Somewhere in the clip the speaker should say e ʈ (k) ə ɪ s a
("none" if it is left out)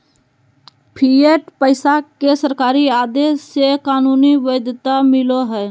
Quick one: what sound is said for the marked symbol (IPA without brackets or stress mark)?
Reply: p